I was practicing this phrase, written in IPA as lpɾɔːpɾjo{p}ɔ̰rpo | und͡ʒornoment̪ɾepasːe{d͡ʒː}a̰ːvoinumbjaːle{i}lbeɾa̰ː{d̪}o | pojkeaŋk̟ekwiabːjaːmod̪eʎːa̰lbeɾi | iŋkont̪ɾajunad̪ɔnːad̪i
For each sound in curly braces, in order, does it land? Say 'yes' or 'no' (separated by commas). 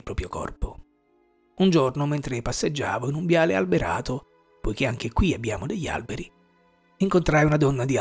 no, yes, no, no